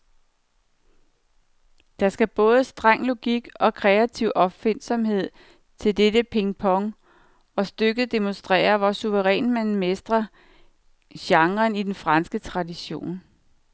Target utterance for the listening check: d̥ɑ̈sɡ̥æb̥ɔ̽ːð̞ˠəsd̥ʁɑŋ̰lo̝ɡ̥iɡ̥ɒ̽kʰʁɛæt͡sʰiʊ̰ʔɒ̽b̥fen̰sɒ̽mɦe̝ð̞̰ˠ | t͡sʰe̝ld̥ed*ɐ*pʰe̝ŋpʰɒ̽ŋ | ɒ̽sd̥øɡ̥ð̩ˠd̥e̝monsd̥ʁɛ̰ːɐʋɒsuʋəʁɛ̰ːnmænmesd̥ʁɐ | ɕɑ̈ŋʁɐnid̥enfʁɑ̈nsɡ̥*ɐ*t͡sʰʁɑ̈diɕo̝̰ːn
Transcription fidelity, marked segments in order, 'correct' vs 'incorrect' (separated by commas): incorrect, incorrect